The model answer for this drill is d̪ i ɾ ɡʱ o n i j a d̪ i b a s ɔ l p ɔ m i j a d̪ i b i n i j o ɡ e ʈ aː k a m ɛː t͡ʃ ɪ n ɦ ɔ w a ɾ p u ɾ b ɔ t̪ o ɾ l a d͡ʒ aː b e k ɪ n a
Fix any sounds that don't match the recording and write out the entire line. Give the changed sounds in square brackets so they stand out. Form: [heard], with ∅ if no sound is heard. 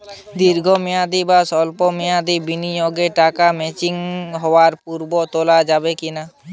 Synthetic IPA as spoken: d̪ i ɾ ɡʱ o [m] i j a d̪ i b a s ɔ l p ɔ m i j a d̪ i b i n i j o ɡ e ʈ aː k a m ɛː t͡ʃ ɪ [ŋ] ɦ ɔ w a ɾ p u ɾ b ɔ t̪ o [∅] l a d͡ʒ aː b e k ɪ n a

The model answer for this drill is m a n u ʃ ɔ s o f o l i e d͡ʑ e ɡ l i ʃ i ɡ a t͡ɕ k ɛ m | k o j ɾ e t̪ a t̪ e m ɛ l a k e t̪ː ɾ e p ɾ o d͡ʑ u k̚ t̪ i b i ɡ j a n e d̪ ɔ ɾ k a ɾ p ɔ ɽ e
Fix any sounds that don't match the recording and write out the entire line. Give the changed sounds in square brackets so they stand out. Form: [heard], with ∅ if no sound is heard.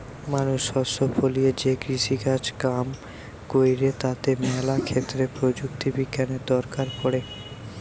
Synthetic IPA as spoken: m a n u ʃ ɔ s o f o l i e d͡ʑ e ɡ [ɾ] i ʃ i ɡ a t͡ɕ k [a] m | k o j ɾ e t̪ a t̪ e m ɛ l a [kʰ] e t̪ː ɾ e p ɾ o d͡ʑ u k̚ t̪ i b i ɡ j a n e d̪ ɔ ɾ k a ɾ p ɔ ɽ e

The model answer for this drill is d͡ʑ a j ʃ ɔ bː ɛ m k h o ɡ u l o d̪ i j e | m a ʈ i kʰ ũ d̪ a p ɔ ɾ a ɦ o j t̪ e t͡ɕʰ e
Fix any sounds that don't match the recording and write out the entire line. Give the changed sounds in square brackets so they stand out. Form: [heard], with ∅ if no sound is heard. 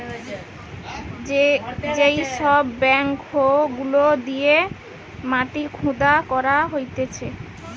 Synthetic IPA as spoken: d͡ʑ [e] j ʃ ɔ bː ɛ [ŋ] k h o ɡ u l o d̪ i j e | m a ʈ i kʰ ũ d̪ a [k] ɔ ɾ a ɦ o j t̪ e t͡ɕʰ e

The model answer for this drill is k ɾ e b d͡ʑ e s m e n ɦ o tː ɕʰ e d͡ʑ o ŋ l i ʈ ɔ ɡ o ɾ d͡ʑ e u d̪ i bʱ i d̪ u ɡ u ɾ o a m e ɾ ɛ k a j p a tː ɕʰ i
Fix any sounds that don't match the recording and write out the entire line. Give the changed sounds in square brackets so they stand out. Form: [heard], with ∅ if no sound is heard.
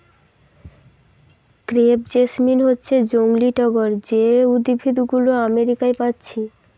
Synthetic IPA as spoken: k ɾ e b d͡ʑ e s m [i] n ɦ o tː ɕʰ e d͡ʑ o ŋ l i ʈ ɔ ɡ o ɾ d͡ʑ e u d̪ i bʱ i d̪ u ɡ u [l] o a m e ɾ [i] k a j p a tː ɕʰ i

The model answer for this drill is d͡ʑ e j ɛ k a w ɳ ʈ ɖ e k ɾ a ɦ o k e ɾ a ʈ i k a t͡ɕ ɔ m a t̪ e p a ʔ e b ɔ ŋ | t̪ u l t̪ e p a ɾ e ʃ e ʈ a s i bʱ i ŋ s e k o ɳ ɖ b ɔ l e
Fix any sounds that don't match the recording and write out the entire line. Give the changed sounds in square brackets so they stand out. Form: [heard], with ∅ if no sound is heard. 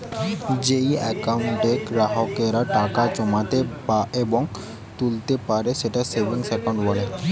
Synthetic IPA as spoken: d͡ʑ e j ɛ k a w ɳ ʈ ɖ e k ɾ a ɦ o k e ɾ a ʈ [a] k a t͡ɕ ɔ m a t̪ e p a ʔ e b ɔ ŋ | t̪ u l t̪ e p a ɾ e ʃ e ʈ a s [e] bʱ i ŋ s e k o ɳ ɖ b ɔ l e

